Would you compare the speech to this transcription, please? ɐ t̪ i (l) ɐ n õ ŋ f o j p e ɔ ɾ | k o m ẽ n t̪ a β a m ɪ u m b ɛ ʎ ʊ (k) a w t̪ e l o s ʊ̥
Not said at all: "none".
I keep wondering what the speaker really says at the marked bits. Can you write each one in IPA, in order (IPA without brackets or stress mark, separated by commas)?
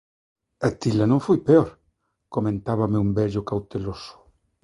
l, k